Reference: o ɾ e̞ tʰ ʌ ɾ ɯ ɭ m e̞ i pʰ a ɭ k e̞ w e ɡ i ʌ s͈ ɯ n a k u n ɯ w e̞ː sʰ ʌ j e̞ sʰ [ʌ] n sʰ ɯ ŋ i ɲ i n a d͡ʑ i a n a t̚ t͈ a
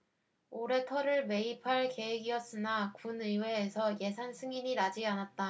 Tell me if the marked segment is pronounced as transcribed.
no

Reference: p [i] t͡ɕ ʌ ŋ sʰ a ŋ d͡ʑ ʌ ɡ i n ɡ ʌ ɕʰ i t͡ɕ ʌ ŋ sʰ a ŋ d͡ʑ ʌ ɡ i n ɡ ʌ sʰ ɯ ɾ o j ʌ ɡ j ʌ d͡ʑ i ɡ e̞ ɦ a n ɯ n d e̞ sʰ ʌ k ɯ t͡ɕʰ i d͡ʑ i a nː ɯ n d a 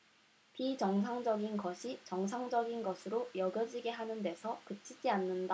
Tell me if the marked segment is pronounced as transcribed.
yes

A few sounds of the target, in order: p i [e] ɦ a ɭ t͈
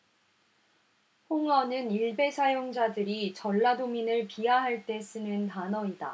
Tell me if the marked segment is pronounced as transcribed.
no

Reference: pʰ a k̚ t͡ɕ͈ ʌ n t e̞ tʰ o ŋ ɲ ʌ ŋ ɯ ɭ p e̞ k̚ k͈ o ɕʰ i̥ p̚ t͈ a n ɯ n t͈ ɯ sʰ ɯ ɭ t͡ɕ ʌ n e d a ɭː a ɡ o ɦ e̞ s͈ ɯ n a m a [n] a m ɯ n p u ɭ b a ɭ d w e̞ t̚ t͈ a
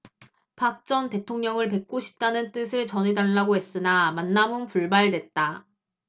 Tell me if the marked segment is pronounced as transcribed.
no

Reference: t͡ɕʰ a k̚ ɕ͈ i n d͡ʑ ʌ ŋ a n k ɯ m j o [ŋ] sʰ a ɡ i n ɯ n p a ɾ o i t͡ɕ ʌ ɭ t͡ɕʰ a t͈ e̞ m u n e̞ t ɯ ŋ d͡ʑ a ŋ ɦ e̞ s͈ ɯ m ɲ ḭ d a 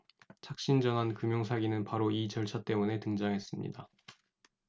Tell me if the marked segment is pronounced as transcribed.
yes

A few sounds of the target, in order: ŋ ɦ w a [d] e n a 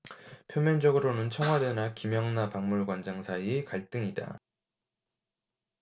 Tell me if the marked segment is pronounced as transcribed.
yes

